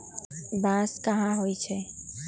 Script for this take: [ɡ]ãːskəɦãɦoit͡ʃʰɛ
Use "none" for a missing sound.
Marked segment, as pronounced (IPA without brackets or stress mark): b